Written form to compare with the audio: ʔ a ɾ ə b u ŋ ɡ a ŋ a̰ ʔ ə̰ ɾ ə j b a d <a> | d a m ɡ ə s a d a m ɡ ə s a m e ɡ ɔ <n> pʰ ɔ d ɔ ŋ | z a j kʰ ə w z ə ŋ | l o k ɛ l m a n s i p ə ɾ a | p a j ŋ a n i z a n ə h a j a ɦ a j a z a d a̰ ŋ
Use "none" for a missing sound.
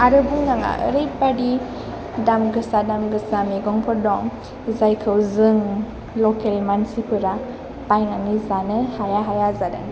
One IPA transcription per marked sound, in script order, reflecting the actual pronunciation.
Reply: i, ŋ

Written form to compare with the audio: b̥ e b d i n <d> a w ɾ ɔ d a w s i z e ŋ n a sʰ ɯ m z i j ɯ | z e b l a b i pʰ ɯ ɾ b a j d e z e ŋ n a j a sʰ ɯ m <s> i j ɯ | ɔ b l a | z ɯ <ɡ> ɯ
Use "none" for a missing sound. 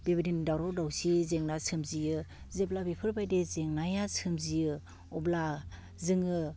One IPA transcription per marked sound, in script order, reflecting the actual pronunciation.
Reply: d, z, ŋ

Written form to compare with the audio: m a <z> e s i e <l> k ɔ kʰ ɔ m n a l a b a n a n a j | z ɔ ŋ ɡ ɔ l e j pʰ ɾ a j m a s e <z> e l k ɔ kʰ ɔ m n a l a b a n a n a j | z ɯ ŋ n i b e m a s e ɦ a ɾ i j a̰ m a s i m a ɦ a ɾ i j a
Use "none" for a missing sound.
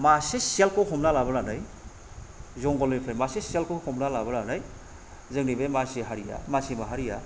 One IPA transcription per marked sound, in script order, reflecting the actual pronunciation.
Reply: s, l, s

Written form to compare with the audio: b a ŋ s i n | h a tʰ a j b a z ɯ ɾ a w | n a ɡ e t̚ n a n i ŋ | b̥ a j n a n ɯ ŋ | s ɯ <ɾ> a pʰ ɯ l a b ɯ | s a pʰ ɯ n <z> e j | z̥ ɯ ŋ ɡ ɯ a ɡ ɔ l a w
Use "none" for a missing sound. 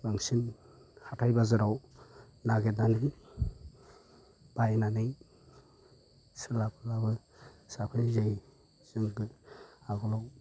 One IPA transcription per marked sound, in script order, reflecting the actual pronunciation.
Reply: l, z

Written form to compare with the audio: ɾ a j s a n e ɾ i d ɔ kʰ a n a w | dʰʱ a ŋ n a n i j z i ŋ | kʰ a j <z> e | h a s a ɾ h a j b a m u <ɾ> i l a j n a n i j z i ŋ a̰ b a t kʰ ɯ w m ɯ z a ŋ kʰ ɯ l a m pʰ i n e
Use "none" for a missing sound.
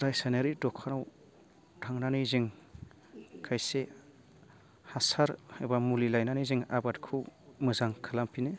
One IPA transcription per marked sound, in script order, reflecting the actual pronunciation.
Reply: s, l

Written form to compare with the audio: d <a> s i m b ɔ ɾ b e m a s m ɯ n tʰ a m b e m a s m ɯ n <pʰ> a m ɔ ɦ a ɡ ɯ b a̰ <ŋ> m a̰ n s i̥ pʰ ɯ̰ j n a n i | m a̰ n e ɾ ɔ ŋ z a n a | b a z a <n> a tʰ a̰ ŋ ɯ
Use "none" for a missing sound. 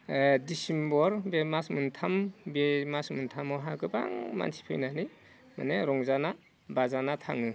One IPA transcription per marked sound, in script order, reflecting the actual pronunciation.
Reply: i, tʰ, ŋ, n

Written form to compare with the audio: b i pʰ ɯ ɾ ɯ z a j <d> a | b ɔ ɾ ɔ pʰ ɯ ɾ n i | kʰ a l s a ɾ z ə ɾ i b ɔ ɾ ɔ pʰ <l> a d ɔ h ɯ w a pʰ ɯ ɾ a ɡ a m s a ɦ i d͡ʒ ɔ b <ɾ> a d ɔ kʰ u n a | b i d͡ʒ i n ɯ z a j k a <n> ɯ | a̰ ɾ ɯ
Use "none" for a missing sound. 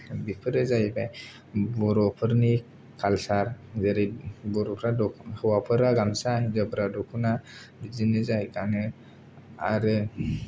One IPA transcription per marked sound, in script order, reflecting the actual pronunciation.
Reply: b, ɾ, ɾ, n

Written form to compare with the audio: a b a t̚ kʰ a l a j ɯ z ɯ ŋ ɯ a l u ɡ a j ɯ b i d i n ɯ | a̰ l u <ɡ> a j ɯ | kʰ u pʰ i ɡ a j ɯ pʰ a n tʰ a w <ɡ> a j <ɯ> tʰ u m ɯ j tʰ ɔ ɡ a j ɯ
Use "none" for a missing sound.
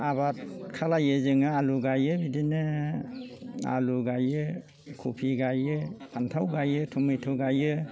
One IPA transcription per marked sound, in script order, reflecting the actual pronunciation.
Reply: ɡ, ɡ, ɯ

